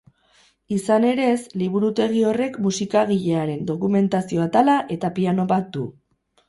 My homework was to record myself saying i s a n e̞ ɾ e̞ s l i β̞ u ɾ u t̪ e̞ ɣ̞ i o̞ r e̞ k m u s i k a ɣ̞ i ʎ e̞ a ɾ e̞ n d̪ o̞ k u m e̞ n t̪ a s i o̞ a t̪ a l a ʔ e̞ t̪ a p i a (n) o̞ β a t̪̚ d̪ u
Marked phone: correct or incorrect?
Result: correct